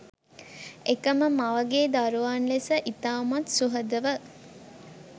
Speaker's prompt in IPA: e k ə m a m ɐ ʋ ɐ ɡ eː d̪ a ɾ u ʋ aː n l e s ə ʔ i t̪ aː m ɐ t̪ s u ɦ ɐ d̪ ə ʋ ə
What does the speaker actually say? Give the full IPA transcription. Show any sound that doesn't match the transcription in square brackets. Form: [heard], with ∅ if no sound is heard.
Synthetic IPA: e k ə m [ə] m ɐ ʋ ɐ ɡ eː d̪ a ɾ u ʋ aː n l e s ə ʔ i t̪ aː m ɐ t̪ s u ɦ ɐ d̪ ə ʋ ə

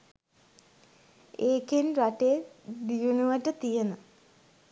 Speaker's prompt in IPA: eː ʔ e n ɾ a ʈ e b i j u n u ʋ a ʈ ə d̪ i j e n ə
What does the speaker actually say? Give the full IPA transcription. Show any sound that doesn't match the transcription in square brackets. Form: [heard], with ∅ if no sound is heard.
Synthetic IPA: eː [k] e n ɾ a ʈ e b i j u n u ʋ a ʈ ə [t̪] i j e n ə

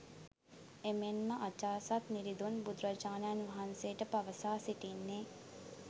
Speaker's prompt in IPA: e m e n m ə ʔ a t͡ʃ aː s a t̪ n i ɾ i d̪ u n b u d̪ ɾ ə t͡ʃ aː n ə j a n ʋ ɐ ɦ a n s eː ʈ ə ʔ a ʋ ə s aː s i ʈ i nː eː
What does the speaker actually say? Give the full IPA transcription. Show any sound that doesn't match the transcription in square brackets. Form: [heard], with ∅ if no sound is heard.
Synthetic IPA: e m e n m ə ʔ a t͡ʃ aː s a t̪ n i ɾ i d̪ u n b u d̪ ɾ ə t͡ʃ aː n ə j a n ʋ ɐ ɦ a n s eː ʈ ə [p] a ʋ ə s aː s i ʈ i nː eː

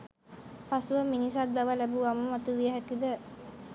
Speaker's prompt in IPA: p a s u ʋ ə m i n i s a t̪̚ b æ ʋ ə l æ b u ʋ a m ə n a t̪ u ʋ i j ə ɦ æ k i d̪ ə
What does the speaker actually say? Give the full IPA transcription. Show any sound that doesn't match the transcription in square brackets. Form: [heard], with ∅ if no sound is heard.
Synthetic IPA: p a s u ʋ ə m i n i s a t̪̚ b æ ʋ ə l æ b u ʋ a m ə [m] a t̪ u ʋ i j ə ɦ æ k i d̪ ə

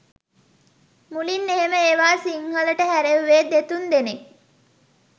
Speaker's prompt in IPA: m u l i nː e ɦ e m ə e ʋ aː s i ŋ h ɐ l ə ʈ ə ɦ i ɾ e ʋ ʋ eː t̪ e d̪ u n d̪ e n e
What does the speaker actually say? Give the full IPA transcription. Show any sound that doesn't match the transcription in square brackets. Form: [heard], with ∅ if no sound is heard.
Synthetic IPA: m u l i nː e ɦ e m ə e ʋ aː s i ŋ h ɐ l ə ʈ ə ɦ [æ] ɾ e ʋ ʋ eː [d̪] e [t̪] u n d̪ e n e

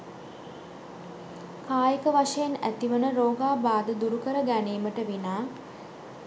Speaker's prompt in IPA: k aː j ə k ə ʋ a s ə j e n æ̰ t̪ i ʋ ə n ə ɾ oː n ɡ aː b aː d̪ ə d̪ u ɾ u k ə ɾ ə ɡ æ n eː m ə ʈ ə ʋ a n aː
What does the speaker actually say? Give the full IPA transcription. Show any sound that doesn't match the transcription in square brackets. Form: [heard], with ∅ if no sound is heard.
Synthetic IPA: k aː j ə k ə ʋ a [ʂ] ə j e n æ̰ t̪ i ʋ ə n ə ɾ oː [∅] ɡ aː b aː d̪ ə d̪ u ɾ u k ə ɾ ə ɡ æ n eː m ə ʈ ə ʋ [i] n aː

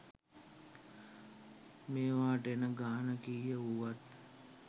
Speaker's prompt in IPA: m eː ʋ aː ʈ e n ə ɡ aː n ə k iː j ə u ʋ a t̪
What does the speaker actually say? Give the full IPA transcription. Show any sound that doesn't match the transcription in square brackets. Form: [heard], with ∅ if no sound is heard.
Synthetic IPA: m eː ʋ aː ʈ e n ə ɡ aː n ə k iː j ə u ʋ a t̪

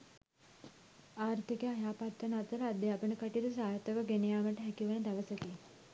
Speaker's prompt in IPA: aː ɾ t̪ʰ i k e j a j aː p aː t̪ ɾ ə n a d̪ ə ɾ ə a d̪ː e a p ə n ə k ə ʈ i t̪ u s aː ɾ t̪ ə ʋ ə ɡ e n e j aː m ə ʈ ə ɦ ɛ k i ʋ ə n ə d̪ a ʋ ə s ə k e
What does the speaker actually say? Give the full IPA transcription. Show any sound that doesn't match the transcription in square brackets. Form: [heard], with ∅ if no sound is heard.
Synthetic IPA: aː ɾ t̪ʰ i k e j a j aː p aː t̪ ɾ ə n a [t̪] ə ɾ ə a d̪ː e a p ə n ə k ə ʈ i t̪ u s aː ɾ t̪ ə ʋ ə ɡ e n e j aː m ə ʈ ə ɦ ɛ k i ʋ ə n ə d̪ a ʋ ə s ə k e

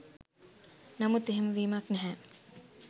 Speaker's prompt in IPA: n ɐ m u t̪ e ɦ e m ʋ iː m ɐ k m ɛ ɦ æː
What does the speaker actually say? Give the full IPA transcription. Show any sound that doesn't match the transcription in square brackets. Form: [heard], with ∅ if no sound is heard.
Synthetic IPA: n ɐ m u t̪ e ɦ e m ʋ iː m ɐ k [n] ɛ ɦ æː

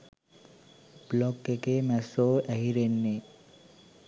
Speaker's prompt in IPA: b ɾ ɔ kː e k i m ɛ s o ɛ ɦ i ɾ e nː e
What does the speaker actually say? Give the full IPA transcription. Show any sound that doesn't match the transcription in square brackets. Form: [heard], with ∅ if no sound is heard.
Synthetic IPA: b [l] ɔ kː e k [e] m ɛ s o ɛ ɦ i ɾ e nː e

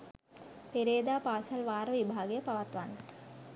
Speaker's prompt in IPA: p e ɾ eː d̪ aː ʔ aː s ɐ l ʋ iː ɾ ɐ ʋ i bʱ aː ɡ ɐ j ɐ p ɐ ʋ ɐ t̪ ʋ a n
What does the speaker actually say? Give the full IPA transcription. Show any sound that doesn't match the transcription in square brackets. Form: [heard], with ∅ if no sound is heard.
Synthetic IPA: p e ɾ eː d̪ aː [p] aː s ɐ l ʋ [aː] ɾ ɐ ʋ i bʱ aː ɡ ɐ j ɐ p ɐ ʋ ɐ t̪ ʋ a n

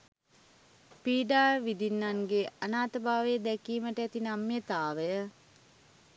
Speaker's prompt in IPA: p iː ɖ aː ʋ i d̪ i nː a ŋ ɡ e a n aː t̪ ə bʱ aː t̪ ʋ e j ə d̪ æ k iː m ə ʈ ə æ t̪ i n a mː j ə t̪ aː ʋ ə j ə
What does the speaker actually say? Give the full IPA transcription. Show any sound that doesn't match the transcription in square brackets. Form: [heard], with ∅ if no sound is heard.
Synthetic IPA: p iː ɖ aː ʋ i d̪ i nː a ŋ ɡ e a n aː t̪ ə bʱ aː [∅] ʋ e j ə d̪ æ k iː m ə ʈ ə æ t̪ i n a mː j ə t̪ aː ʋ ə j ə

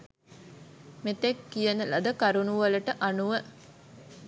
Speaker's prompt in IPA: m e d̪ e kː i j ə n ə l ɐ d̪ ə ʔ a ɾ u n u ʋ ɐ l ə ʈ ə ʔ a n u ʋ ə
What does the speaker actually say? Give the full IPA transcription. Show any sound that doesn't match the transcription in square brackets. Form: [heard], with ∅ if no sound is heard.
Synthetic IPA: m e [t̪] e kː i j ə n ə l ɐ d̪ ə [k] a ɾ u n u ʋ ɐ l ə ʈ ə ʔ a n u ʋ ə

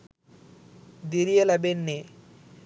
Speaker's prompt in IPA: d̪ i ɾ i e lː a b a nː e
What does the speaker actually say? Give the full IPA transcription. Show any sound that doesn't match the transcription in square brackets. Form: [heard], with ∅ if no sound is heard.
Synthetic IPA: d̪ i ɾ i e [l] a b [e] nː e

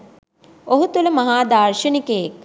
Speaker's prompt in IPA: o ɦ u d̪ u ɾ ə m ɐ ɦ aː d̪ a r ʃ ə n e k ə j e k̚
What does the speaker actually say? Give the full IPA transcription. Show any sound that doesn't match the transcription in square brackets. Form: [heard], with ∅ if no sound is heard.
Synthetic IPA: o ɦ u [t̪] u [l] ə m ɐ ɦ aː d̪ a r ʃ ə n [i] k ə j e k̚

